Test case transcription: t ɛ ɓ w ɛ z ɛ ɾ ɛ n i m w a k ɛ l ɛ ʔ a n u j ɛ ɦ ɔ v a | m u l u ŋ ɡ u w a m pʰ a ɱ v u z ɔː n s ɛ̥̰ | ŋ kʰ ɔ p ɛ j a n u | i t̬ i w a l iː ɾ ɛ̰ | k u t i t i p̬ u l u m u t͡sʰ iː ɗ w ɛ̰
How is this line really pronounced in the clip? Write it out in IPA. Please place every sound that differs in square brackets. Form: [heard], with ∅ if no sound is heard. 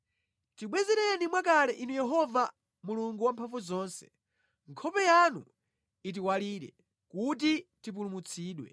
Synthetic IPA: t [i] ɓ w ɛ z ɛ ɾ ɛ n i m w a k [a] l ɛ ʔ [i] n u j ɛ ɦ ɔ v a | m u l u ŋ ɡ u w a m pʰ a ɱ v u z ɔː n s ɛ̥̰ | ŋ kʰ ɔ p ɛ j a n u | i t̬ i w a l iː ɾ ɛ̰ | k u t i t i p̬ u l u m u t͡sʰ iː ɗ w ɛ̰

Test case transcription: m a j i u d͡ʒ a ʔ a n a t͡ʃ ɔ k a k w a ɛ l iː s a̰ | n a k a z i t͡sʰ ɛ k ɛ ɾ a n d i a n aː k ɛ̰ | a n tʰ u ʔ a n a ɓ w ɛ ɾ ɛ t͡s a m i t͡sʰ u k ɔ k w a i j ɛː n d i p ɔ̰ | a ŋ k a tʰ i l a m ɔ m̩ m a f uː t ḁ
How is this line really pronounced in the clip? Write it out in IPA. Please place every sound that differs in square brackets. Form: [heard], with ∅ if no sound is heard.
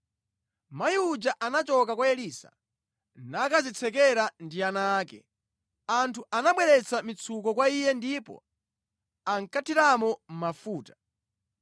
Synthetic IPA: m a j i u d͡ʒ a ʔ a n a t͡ʃ ɔ k a k w a ɛ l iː s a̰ | n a k a z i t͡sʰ ɛ k ɛ ɾ a n d i a n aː k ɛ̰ | a n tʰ u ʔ a n a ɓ w ɛ ɾ ɛ t͡s a m i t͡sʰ u k ɔ k w a i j [ɛ] n d i p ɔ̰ | a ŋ k a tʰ i [ɾ] a m ɔ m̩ m a f uː t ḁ

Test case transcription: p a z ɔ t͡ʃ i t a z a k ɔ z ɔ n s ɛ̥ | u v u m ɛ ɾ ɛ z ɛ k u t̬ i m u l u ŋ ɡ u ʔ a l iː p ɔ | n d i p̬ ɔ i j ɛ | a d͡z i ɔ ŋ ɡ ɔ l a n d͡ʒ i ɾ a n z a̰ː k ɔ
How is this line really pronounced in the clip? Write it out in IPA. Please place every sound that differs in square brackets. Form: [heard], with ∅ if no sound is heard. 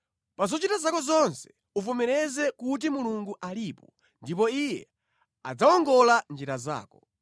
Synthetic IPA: p a z ɔ t͡ʃ i t a z a k ɔ z ɔ n s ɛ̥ | u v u m ɛ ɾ ɛ z ɛ k u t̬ i m u l u ŋ ɡ u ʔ a l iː p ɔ | n d i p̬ ɔ i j ɛ | a d͡z [a] ɔ ŋ ɡ ɔ l a n d͡ʒ i ɾ a [∅] z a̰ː k ɔ

